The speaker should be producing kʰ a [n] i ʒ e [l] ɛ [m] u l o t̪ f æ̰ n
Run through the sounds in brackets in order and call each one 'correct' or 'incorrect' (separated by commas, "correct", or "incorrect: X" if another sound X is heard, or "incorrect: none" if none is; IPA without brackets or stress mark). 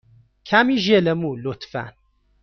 incorrect: m, correct, correct